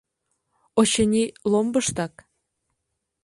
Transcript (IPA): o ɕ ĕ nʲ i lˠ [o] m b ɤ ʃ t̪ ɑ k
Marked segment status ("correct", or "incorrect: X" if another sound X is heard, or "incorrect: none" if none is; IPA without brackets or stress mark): correct